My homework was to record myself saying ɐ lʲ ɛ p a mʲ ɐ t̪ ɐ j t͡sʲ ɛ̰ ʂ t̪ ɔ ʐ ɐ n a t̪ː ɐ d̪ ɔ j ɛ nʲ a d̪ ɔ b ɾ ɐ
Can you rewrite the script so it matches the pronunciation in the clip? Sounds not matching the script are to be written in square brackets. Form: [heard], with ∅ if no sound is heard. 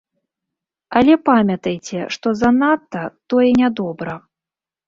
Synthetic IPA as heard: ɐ lʲ ɛ p a mʲ ɐ t̪ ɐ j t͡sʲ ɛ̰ ʂ t̪ ɔ [z] ɐ n a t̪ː ɐ [t̪] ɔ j ɛ nʲ a d̪ ɔ b ɾ ɐ